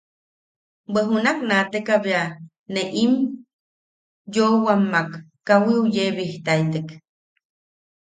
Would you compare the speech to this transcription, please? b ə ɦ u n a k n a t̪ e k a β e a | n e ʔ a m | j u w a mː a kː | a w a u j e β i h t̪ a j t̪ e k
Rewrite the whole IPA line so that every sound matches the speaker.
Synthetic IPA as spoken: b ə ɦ u n a k n a t̪ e k a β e a | n e ʔ i m | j o w a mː a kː | a w i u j e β i h t̪ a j t̪ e k